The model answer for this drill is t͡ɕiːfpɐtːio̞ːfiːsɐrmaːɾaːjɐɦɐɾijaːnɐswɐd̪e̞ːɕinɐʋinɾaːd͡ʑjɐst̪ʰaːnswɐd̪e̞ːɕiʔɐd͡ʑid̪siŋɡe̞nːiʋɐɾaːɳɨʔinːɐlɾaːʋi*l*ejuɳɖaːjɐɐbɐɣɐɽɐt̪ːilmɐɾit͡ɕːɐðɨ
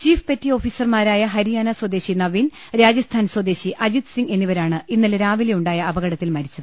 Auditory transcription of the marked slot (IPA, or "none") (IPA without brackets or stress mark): l